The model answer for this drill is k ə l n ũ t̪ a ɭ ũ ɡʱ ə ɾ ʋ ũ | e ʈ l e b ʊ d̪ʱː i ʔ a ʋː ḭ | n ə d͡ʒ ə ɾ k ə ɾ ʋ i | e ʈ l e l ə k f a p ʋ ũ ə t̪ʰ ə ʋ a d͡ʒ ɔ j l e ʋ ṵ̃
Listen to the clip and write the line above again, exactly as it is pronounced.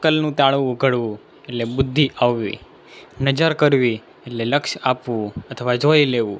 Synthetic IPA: k ə l n ũ t̪ a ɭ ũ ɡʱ ə ɽ ʋ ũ | e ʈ l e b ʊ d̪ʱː i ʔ a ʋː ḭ | n ə d͡ʒ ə ɾ k ə ɾ ʋ i | e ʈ l e l ə k ʃ a p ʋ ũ ə t̪ʰ ə ʋ a d͡ʒ o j l e ʋ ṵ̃